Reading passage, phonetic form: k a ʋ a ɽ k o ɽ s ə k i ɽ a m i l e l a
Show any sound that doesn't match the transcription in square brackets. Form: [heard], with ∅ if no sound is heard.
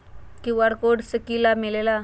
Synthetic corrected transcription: k [i] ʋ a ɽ k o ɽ s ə k i [l] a m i l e l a

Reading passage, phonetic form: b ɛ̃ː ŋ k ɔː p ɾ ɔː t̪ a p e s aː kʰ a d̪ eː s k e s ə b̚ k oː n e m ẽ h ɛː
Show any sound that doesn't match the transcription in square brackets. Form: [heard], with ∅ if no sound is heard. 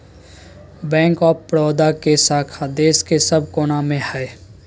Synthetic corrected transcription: b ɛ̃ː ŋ k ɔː p ɾ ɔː [d̪] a [k] e s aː kʰ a d̪ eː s k e s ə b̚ k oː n [a] m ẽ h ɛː

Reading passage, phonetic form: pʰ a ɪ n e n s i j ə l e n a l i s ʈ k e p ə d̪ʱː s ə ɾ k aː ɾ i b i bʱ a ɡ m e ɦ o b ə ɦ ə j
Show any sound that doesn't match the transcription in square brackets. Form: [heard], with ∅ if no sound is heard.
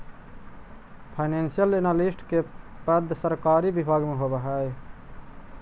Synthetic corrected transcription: pʰ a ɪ n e n s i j ə l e n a l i s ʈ k e p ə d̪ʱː s ə ɾ k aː ɾ i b i bʱ a ɡ m e ɦ o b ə ɦ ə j

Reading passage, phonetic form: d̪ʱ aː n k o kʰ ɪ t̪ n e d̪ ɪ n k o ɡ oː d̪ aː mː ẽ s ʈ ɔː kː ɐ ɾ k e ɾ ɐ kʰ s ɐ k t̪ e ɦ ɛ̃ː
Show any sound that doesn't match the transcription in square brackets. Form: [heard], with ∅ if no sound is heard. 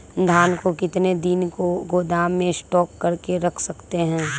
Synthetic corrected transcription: d̪ʱ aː n k o [k] ɪ t̪ n e d̪ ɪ n k o ɡ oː d̪ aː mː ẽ s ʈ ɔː kː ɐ ɾ k e ɾ ɐ kʰ s ɐ k t̪ e ɦ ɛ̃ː

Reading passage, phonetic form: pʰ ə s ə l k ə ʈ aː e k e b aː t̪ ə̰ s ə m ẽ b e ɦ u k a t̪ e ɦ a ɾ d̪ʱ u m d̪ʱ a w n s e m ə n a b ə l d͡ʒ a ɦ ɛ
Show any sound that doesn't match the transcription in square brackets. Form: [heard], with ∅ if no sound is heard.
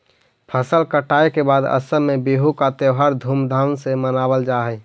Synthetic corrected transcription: pʰ ə s ə l k ə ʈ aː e k e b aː [d̪] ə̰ s ə m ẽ b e ɦ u k a t̪ e ɦ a ɾ d̪ʱ u m d̪ʱ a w n s e m ə n a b ə l d͡ʒ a ɦ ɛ

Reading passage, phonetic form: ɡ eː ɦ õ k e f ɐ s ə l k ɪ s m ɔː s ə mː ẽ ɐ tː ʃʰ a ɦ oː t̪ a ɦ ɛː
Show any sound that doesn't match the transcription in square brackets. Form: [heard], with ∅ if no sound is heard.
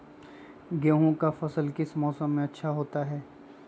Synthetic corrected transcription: ɡ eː ɦ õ k [a] f ɐ s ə l k ɪ s m ɔː s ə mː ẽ ɐ tː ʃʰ a ɦ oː t̪ a ɦ ɛː

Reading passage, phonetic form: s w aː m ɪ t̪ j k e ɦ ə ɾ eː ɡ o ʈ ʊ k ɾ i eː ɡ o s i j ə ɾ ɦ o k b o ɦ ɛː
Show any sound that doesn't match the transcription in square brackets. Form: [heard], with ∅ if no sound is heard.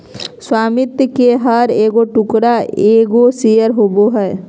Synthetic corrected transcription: s w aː m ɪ t̪ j k e ɦ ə ɾ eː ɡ o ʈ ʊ k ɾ [a] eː ɡ o s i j ə ɾ ɦ o [∅] b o ɦ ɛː

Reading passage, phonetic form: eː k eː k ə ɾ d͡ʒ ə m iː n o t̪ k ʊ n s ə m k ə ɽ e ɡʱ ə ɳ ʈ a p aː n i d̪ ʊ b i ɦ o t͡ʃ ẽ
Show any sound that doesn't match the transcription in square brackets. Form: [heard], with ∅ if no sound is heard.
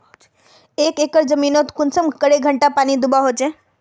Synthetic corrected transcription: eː k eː k ə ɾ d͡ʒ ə m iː n o t̪ k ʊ n s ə m k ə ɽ e ɡʱ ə ɳ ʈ a p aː n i d̪ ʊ b [a] ɦ o t͡ʃ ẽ

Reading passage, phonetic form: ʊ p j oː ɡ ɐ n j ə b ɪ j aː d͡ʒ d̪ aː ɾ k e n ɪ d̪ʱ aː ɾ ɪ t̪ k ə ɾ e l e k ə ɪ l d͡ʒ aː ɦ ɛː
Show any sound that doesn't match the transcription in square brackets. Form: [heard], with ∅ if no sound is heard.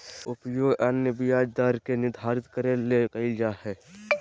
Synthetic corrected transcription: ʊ p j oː ɡ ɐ n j ə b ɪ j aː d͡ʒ d̪ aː ɾ k e n ɪ d̪ʱ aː ɾ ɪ t̪ k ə ɾ e l e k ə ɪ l d͡ʒ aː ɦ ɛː

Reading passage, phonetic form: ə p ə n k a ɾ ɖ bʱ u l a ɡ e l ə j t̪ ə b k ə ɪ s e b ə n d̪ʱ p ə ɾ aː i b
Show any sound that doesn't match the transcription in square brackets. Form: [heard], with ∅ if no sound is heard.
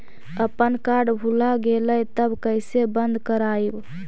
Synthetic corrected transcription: ə p ə n k a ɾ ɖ bʱ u l a ɡ e l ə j t̪ ə b k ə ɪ s e b ə n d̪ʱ [k] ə ɾ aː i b

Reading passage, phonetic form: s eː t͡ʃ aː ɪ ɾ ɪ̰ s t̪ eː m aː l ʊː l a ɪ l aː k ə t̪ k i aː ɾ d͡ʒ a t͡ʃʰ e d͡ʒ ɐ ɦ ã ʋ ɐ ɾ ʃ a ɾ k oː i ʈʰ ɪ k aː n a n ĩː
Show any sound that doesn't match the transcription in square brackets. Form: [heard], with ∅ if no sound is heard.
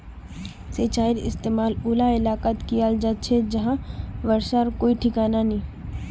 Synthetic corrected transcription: s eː t͡ʃ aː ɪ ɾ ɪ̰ s t̪ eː m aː l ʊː l a ɪ l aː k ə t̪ k i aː [l] d͡ʒ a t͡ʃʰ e d͡ʒ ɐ ɦ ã ʋ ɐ ɾ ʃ a ɾ k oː i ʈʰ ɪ k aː n a n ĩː

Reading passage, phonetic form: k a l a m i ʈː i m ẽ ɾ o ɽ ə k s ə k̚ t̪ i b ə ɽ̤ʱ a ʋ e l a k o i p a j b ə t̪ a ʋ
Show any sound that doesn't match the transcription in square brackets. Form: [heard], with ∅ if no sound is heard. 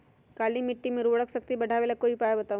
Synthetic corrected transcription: k a l [i] m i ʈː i m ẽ ɾ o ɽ ə k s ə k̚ t̪ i b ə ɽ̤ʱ a ʋ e l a k o i p a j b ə t̪ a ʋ

